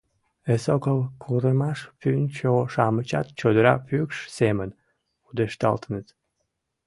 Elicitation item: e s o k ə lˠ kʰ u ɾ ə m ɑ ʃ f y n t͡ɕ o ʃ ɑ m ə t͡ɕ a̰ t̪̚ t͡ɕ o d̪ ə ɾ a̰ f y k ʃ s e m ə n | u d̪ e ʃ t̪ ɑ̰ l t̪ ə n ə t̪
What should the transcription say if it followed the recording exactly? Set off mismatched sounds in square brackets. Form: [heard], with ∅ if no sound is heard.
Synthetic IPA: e s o k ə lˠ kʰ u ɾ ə m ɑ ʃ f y n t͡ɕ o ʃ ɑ m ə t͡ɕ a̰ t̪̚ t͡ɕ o d̪ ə ɾ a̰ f y k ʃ s e m ə n | u d̪ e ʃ t̪ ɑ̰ l t̪ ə n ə t̪